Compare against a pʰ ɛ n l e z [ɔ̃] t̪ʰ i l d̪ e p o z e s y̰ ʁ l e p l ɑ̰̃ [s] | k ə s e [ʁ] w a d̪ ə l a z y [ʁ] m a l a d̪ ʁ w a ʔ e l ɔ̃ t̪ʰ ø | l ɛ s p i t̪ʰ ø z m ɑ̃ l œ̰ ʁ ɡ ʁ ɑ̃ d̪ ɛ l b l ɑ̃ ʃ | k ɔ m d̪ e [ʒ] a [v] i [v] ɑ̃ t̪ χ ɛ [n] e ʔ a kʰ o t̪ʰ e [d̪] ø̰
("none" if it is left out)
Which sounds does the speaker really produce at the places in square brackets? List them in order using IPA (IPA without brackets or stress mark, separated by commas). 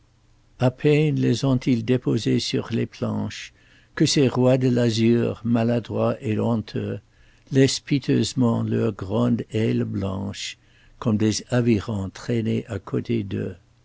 ɔ̃, ʃ, ʁ, ʁ, z, v, ʁ, n, d̪